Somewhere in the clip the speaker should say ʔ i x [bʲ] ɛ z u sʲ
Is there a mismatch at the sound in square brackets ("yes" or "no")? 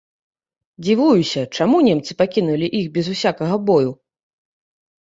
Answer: no